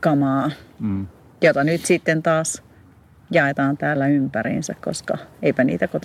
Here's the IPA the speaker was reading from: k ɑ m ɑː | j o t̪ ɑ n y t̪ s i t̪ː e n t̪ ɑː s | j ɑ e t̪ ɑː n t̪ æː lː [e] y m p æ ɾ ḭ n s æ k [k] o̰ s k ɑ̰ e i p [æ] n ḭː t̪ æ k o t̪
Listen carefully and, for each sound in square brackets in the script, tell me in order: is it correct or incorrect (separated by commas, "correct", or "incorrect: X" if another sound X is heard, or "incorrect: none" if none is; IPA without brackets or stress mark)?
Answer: incorrect: æ, correct, correct